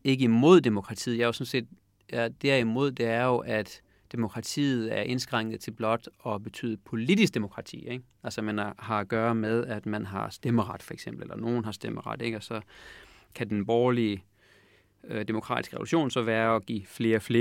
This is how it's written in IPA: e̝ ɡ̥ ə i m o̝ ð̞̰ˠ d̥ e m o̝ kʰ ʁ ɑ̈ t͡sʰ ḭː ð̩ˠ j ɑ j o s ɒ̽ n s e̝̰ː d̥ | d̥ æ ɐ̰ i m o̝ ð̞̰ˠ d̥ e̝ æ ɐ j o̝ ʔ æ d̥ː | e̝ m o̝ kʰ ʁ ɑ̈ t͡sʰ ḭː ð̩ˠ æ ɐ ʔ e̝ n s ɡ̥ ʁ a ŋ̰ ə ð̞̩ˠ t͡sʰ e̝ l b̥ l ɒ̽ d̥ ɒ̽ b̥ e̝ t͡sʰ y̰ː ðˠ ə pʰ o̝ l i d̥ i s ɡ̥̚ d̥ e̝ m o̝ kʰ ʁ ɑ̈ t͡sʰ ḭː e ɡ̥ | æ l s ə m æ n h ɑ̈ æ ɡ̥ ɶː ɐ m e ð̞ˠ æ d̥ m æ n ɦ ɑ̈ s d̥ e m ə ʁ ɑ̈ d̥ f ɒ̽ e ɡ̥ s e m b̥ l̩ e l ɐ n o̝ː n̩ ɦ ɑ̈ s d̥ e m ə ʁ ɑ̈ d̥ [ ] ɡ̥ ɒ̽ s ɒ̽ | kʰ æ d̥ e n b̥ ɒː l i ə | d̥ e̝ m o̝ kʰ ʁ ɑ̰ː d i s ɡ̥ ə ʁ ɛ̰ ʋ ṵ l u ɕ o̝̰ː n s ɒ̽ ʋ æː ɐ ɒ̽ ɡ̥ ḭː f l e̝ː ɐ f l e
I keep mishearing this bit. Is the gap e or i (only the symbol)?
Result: e